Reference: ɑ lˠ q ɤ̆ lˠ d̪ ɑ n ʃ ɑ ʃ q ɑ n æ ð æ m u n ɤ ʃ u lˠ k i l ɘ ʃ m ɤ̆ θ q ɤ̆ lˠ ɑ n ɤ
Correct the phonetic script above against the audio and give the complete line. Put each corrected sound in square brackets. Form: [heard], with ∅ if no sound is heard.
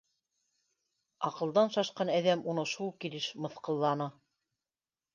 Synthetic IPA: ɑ [∅] q ɤ̆ lˠ d̪ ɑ n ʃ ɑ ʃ q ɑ n æ ð æ m u n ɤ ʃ u lˠ k i l ɘ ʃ m ɤ̆ θ q ɤ̆ [lˠː] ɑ n ɤ